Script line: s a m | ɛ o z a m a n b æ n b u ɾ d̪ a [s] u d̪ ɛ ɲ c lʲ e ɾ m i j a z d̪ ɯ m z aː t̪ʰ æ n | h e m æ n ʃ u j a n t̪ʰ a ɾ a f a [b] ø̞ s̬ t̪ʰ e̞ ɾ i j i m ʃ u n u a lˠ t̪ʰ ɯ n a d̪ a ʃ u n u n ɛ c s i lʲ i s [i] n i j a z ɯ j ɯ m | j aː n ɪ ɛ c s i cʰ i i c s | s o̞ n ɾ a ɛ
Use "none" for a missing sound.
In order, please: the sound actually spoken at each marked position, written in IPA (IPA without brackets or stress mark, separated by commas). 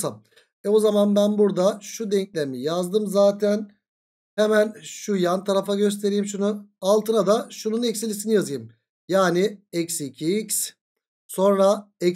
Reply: ʃ, ɟ, i